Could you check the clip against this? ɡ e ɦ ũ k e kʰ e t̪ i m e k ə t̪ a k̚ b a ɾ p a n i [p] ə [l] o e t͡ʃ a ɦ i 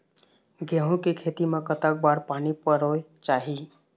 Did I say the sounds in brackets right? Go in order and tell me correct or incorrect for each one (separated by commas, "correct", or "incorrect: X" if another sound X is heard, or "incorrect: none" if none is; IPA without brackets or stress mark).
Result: correct, incorrect: ɾ